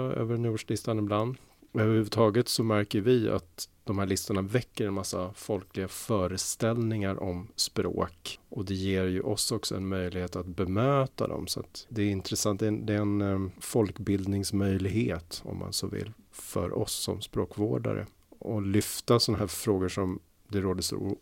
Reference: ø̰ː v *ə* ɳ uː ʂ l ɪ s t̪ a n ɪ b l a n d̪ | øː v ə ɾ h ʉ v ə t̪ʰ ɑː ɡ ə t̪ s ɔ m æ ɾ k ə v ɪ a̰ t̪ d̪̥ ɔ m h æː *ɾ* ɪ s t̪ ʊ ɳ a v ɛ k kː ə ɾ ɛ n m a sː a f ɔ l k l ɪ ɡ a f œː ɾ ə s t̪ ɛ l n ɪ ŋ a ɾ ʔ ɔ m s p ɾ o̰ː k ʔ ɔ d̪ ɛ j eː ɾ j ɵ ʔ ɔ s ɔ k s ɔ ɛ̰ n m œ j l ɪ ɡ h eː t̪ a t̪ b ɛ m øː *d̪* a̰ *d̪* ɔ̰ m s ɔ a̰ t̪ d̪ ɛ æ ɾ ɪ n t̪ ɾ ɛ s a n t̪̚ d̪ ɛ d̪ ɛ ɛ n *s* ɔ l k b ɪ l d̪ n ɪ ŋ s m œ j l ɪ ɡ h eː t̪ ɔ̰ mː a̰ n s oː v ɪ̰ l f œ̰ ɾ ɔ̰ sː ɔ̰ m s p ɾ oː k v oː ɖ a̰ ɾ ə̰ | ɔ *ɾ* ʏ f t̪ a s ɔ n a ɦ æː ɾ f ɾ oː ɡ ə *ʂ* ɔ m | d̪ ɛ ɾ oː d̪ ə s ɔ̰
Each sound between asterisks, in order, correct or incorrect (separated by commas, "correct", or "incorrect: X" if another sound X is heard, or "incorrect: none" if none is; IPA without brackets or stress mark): correct, incorrect: ɭ, incorrect: t̪, correct, incorrect: f, incorrect: l, correct